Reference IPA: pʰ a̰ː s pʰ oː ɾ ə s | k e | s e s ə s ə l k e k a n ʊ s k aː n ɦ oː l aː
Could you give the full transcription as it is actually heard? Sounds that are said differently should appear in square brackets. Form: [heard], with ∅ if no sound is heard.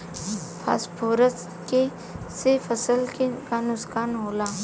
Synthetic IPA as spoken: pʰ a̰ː s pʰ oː ɾ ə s | k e | s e [f] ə s ə l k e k a n ʊ s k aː n ɦ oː l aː